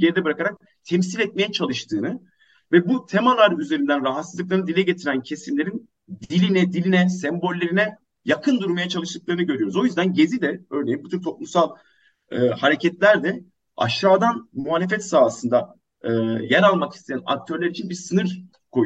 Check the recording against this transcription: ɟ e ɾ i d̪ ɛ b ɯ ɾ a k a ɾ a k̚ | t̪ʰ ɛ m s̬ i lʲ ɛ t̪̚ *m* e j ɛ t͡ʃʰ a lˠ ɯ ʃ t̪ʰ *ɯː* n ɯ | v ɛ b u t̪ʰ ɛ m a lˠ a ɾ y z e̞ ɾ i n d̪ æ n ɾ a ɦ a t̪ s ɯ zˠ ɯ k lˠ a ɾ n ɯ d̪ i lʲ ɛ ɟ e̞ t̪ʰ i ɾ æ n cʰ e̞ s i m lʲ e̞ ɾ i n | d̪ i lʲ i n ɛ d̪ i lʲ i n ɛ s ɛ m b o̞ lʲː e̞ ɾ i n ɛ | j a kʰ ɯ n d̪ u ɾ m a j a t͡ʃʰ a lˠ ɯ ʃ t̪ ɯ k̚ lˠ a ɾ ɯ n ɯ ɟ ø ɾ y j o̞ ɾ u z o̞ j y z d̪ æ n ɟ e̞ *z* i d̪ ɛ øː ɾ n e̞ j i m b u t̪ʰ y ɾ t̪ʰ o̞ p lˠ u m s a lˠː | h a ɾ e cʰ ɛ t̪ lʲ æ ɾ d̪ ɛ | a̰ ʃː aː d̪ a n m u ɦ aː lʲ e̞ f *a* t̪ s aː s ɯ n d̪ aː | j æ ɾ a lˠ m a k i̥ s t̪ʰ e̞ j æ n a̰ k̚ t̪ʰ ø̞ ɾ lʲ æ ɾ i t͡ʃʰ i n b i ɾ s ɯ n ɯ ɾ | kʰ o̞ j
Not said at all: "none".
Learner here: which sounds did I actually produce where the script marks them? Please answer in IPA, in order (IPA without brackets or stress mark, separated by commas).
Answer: m, ɯː, z, ɛ